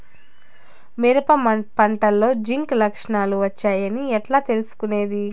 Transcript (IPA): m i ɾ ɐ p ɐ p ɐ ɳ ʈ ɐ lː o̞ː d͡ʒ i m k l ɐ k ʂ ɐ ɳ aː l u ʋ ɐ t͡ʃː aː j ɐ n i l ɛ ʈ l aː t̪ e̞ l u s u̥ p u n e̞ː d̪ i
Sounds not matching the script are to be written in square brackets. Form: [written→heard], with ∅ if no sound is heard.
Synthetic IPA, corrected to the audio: m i ɾ ɐ p ɐ p ɐ ɳ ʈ ɐ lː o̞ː d͡ʒ i [m→ŋ] k l ɐ k ʂ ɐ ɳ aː l u ʋ ɐ t͡ʃː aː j ɐ n i [l→∅] ɛ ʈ l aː t̪ e̞ l u s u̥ [p→k] u n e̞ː d̪ i